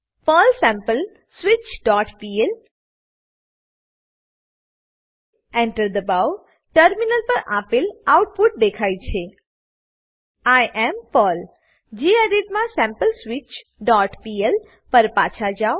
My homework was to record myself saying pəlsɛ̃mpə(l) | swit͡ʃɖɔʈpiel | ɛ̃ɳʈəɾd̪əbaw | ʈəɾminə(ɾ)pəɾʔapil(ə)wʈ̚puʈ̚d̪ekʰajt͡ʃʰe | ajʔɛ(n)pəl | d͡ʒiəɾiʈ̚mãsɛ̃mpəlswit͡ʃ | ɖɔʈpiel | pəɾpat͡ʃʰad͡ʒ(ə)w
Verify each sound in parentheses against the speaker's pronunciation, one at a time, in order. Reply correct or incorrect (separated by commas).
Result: correct, incorrect, incorrect, incorrect, incorrect